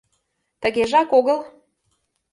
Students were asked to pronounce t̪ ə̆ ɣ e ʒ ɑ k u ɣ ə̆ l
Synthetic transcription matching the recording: t̪ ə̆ ɣ e ʒ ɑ k o ɣ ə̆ l